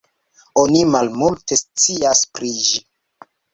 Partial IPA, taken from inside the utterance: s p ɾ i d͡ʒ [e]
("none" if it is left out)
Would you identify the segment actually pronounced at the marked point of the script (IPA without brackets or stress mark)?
i